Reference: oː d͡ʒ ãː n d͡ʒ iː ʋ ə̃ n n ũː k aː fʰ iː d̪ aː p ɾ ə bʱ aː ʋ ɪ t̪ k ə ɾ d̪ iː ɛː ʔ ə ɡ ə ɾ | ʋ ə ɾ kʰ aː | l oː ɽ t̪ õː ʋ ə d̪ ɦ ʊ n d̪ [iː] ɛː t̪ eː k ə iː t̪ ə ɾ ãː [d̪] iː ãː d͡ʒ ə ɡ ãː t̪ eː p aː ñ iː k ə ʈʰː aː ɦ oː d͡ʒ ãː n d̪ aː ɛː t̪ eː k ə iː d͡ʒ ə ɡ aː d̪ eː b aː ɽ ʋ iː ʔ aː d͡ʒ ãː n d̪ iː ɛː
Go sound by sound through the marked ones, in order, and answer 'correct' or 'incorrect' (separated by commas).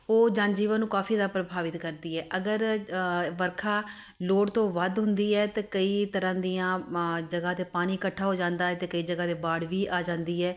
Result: correct, correct